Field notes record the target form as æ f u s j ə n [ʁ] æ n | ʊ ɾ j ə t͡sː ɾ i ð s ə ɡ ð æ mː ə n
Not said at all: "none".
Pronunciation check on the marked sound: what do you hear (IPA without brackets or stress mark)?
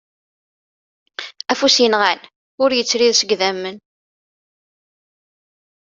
ʁ